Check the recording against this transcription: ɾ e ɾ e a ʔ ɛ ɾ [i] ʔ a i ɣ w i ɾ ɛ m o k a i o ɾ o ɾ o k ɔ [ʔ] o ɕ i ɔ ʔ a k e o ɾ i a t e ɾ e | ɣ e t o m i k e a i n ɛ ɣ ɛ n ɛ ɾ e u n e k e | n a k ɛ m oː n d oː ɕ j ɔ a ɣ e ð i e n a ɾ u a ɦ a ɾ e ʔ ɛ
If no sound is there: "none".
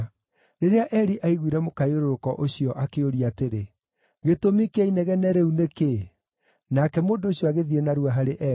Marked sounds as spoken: i, ʔ

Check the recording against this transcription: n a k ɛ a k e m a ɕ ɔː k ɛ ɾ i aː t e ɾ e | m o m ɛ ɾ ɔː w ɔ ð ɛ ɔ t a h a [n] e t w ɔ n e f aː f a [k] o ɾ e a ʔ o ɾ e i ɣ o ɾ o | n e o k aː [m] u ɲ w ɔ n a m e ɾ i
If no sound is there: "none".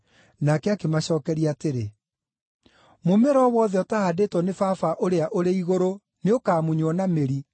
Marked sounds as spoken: d, ʔ, m

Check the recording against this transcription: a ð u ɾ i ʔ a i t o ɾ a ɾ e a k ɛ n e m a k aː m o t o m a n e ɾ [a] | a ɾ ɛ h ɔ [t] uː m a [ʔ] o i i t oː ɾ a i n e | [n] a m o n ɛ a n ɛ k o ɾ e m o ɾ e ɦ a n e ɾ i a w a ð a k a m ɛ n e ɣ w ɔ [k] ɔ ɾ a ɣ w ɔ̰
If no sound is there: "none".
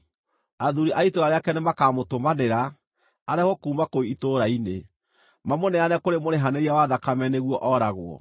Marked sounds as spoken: a, k, k, m, ʔ

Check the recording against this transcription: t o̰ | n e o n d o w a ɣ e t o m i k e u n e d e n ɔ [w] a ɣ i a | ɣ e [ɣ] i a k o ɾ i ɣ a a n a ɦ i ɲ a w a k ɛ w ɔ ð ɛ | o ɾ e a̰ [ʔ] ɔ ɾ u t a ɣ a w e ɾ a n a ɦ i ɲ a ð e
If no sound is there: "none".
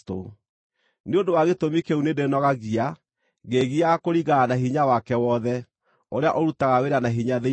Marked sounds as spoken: ɣ, ɣ, ʔ

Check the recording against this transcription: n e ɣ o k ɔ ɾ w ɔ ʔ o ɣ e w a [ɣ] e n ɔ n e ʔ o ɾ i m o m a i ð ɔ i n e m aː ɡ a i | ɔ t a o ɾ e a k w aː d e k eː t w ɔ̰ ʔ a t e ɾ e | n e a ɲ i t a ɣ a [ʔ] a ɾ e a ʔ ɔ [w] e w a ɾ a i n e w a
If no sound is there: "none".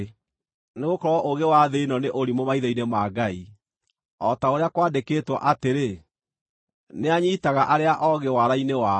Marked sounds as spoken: ð, ʔ, ɣ

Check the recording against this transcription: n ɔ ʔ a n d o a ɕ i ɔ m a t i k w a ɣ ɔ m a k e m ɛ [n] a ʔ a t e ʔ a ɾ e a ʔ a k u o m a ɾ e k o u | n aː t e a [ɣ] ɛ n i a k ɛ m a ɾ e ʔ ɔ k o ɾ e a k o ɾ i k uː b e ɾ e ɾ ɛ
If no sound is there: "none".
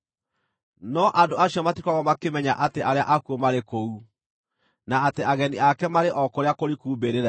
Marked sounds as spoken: ɲ, ɣ

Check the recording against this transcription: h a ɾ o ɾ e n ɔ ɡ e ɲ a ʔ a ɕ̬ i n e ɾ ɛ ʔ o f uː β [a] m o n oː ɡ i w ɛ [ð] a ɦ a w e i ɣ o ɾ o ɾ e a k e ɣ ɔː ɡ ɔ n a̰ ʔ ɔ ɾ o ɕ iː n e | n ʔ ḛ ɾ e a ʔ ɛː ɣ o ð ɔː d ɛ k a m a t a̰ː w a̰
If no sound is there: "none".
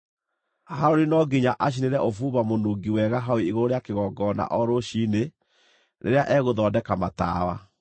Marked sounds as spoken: a, ɣ

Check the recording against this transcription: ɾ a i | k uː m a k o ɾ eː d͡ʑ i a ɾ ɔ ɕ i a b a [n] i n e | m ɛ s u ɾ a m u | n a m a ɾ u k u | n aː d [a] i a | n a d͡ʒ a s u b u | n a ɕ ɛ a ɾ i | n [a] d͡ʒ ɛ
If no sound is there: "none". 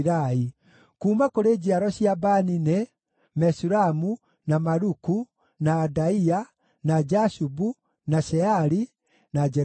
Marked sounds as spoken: n, a, a

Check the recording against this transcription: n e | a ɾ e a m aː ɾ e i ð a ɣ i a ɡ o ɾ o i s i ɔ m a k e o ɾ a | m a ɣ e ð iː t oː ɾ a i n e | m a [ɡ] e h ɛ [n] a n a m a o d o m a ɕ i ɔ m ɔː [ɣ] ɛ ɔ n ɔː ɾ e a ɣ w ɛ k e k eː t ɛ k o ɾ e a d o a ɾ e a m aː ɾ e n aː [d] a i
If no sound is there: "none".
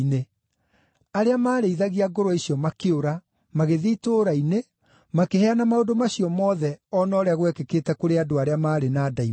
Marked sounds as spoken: k, none, ð, d

